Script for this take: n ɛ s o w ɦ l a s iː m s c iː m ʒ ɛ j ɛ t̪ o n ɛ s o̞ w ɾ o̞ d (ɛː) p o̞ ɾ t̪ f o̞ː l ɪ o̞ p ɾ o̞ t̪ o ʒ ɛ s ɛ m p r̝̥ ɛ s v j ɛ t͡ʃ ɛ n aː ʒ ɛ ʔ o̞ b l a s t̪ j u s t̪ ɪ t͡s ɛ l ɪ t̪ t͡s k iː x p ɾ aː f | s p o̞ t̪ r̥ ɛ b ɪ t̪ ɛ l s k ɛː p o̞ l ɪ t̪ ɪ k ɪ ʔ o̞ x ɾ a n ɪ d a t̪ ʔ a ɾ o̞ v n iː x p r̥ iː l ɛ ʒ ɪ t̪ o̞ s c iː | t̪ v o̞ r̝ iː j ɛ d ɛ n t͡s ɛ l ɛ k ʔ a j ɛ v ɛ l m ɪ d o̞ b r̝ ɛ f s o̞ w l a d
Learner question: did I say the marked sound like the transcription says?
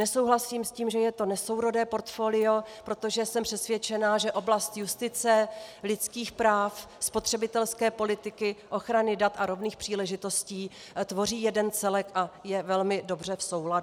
yes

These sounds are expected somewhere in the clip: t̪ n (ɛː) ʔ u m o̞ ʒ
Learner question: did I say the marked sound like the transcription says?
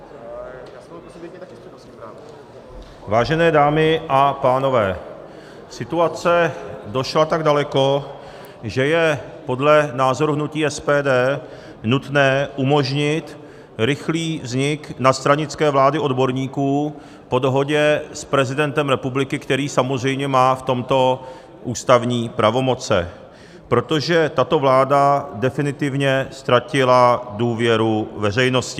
yes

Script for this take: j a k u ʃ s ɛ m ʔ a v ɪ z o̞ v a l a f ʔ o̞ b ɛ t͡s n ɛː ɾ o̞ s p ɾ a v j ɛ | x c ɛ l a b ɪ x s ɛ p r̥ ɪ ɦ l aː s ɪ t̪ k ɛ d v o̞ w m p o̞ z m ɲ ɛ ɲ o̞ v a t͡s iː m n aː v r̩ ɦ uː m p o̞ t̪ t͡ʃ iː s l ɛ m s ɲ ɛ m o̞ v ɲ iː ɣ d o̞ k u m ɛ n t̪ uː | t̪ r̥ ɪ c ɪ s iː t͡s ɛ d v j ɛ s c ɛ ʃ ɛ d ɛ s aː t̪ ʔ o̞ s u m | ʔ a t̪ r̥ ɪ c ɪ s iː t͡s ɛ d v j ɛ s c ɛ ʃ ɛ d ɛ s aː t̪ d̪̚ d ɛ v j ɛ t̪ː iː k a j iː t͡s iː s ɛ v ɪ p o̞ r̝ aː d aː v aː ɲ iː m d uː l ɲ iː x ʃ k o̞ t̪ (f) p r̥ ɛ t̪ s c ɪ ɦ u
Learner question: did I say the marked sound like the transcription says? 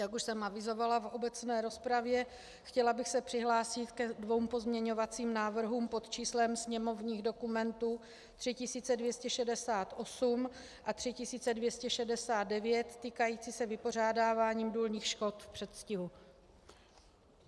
yes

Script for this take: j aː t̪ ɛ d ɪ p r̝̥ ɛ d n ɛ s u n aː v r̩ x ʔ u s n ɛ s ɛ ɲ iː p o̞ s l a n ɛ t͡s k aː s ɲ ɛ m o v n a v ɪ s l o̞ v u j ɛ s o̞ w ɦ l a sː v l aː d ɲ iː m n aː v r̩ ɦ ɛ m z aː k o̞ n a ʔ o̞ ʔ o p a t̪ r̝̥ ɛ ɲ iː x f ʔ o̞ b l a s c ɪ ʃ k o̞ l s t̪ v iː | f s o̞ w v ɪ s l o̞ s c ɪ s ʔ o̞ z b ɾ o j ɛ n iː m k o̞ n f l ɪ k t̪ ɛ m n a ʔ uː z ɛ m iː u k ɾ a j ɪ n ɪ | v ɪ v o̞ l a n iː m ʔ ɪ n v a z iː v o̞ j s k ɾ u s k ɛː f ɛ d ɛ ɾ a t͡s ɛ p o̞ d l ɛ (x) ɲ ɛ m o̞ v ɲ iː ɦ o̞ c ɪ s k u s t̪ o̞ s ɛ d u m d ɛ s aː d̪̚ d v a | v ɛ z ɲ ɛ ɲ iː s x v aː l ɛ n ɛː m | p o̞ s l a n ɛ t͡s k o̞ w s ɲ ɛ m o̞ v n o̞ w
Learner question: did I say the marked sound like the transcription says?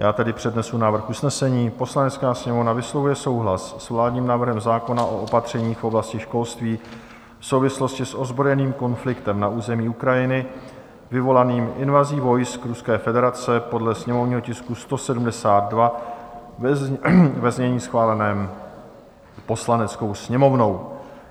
no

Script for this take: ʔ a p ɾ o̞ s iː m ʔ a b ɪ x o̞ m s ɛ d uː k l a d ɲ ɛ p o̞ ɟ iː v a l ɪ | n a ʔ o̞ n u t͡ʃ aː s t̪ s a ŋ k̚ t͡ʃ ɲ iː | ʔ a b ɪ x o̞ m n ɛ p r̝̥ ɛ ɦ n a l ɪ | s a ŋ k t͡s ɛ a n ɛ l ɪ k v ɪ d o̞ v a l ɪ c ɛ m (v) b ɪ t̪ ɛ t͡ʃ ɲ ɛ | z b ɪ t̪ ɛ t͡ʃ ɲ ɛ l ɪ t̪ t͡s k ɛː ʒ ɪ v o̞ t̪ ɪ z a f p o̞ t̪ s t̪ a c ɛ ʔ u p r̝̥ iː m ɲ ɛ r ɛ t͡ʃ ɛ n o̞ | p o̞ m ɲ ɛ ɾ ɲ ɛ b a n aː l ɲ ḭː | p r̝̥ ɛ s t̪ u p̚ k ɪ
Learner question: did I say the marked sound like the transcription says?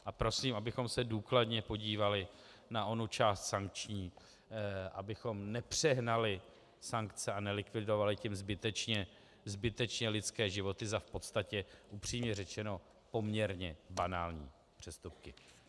no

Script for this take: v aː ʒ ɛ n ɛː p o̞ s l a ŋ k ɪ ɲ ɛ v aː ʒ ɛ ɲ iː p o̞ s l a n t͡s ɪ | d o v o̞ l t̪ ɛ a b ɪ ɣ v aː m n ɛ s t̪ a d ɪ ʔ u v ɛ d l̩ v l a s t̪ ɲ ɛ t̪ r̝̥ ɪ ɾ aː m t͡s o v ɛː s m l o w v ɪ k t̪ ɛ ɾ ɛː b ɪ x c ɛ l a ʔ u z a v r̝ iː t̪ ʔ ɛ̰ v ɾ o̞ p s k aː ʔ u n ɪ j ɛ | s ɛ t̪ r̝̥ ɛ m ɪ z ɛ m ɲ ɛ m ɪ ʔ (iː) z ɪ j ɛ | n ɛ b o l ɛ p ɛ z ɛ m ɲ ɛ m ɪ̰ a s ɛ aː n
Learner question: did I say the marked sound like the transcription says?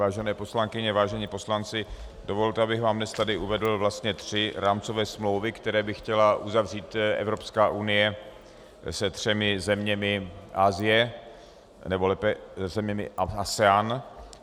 no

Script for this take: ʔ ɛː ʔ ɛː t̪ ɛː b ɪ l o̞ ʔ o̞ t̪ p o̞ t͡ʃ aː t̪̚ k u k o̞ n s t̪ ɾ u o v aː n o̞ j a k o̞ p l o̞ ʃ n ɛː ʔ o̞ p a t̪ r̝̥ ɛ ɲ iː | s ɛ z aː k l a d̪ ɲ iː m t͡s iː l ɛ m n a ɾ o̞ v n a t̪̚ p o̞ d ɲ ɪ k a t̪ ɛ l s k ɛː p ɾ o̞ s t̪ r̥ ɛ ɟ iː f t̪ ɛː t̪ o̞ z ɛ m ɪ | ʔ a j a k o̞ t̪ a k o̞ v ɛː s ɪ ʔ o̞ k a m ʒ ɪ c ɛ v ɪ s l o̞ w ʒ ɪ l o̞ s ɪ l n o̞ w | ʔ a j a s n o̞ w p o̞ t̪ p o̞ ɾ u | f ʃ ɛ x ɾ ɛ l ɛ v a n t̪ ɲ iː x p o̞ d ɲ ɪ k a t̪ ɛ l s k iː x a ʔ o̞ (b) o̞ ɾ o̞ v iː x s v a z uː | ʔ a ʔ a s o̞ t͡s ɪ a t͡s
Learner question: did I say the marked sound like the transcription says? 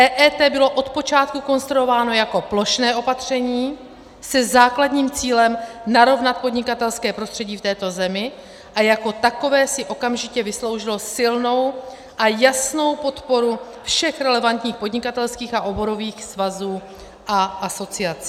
yes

